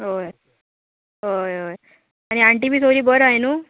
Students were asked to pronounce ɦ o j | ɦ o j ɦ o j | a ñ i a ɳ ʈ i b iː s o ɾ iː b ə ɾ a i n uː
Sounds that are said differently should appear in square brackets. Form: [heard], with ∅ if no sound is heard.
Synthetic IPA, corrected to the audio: ɦ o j | ɦ o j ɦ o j | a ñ i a ɳ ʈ i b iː s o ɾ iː b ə ɾ a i n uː